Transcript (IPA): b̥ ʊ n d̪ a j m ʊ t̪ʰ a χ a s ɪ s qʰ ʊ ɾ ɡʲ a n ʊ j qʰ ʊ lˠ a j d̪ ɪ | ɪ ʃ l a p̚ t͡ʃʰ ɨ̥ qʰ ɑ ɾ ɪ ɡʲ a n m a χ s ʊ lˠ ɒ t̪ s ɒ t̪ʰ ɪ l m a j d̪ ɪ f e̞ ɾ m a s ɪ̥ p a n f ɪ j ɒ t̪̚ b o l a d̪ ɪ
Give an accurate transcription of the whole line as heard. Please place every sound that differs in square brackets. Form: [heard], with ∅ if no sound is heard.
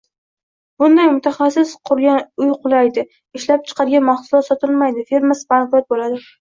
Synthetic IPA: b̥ ʊ n d̪ a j m ʊ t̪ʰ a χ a s ɪ s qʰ ʊ ɾ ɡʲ a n ʊ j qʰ ʊ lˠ a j d̪ ɪ | ɪ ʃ l a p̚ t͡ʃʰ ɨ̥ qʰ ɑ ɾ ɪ ɡʲ a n m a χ s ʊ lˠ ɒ t̪ s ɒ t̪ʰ ɪ l m a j d̪ ɪ f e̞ ɾ m a s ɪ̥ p a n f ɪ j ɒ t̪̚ b o l a d̪ ɪ